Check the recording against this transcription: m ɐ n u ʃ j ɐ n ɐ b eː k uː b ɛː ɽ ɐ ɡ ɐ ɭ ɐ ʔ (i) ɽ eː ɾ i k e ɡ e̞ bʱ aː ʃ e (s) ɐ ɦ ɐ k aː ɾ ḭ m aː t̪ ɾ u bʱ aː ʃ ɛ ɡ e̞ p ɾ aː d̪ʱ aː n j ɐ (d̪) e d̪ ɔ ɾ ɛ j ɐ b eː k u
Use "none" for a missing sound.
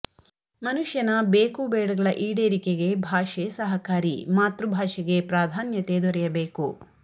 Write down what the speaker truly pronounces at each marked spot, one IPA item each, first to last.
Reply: iː, s, t̪

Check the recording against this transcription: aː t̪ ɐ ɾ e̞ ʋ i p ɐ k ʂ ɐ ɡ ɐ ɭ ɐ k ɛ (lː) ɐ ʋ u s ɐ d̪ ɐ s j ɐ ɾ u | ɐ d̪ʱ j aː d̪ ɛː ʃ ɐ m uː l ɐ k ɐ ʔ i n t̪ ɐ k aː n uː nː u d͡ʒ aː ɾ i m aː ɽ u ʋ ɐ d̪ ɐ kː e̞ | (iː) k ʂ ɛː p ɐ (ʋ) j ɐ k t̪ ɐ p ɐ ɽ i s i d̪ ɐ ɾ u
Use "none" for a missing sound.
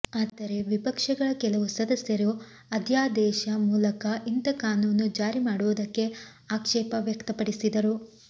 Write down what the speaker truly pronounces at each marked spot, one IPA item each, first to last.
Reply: l, aː, ʋ

